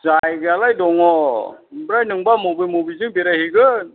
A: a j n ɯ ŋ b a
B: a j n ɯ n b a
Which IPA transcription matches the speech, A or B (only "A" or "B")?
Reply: A